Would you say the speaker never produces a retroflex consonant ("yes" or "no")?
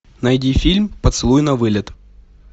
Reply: yes